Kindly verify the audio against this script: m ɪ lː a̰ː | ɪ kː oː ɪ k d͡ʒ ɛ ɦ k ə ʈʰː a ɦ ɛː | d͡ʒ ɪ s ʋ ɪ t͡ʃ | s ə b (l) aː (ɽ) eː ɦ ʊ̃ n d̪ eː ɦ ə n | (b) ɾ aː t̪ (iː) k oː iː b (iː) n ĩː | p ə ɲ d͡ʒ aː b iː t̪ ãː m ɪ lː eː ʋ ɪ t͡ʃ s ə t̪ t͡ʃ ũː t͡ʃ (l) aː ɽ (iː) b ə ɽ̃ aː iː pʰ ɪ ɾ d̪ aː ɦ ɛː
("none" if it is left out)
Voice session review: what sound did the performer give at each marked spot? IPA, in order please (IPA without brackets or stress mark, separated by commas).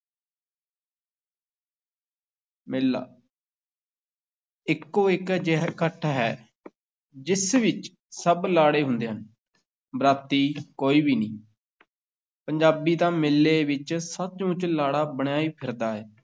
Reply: l, ɽ, b, iː, iː, l, aː